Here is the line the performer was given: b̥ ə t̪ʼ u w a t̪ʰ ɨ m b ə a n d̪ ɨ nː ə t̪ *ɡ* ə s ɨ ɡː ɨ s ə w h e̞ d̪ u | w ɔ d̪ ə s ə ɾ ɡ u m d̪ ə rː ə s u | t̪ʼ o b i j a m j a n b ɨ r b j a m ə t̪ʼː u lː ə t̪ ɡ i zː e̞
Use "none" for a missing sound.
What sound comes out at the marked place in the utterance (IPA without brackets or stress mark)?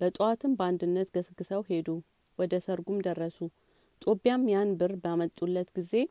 ɡ